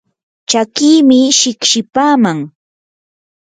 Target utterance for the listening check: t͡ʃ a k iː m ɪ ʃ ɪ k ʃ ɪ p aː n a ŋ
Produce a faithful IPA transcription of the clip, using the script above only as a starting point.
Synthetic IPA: t͡ʃ a k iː m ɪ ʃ ɪ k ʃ ɪ p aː m a ŋ